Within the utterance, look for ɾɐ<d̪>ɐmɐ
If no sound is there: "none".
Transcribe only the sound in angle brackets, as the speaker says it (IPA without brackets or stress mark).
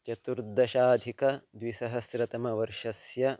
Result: t̪